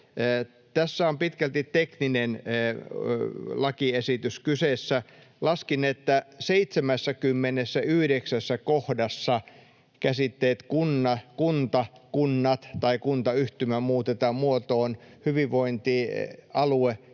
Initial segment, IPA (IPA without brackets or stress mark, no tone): t̪